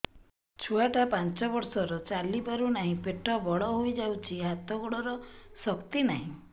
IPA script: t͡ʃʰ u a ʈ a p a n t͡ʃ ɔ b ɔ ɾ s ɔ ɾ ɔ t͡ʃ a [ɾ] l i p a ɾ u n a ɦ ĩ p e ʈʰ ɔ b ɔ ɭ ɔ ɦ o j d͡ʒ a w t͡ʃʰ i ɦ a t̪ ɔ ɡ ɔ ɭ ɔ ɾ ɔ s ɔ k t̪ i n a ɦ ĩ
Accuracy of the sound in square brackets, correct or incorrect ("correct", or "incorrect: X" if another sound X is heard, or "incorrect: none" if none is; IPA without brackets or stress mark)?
incorrect: none